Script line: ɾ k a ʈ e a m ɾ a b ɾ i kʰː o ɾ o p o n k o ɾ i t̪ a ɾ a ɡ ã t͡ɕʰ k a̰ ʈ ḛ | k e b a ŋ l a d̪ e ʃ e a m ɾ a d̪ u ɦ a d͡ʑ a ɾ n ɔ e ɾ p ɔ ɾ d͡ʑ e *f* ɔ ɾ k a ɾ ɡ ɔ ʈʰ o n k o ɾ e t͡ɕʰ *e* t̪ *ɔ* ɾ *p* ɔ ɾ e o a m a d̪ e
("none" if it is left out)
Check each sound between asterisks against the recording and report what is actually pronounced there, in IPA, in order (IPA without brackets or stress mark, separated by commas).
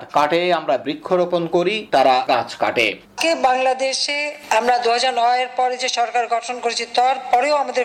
ʃ, i, ɔ, p